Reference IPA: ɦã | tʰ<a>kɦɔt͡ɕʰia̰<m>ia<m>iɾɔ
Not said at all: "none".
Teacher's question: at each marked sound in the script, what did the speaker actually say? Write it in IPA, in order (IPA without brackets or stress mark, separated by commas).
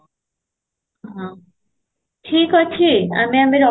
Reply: i, m, m